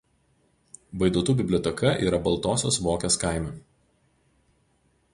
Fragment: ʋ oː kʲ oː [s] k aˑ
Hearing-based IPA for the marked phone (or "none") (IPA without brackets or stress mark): s